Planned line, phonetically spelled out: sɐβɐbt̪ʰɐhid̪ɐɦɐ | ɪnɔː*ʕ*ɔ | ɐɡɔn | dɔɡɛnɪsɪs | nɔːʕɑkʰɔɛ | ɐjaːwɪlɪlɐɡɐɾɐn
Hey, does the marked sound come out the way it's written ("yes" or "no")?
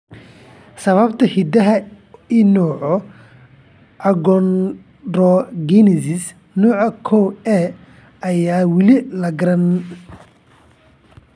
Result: yes